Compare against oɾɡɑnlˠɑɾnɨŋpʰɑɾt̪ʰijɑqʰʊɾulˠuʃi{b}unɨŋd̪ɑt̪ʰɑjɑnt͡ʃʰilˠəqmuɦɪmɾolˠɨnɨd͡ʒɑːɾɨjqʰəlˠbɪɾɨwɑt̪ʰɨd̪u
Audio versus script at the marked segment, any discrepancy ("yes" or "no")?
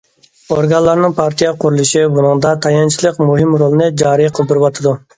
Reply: no